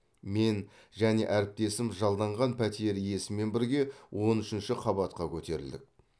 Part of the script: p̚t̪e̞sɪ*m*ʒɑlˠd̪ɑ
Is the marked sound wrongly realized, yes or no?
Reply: no